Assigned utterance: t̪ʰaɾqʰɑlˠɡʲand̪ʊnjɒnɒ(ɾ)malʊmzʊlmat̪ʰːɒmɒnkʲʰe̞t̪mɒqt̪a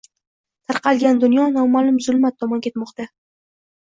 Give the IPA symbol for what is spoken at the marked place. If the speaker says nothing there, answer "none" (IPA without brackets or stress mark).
none